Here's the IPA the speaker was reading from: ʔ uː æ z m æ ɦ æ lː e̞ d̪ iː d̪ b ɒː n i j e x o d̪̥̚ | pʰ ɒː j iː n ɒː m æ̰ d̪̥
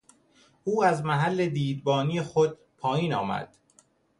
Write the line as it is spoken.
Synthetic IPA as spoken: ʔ uː æ z m æ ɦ æ lː e̞ d̪ iː d̪ b ɒː n i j e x o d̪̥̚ | pʰ ɒː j iː n ɒː m æ̰ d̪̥